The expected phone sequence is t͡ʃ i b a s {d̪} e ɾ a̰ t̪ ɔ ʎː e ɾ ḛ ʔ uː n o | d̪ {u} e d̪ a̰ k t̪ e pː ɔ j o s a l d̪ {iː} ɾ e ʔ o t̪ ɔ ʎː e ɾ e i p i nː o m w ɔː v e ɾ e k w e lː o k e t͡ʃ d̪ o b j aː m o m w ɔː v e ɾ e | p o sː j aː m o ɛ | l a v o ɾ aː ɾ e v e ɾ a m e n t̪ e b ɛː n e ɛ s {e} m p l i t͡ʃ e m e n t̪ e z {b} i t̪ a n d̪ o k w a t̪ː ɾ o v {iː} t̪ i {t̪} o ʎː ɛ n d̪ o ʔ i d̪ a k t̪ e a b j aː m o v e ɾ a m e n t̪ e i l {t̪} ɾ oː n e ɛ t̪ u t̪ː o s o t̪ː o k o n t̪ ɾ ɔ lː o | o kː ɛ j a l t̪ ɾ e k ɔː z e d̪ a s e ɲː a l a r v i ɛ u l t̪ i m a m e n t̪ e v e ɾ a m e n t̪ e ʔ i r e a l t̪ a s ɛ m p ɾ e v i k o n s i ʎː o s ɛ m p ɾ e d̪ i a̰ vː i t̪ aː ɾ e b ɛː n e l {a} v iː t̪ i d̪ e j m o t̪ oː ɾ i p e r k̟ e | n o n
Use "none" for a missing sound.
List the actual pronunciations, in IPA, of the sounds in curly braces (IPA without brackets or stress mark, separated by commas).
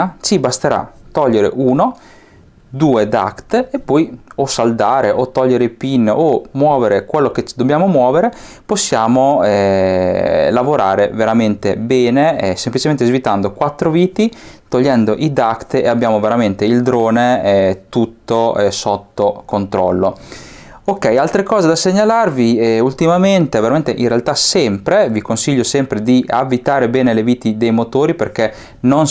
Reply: t̪, uː, aː, e, v, iː, t̪, d̪, e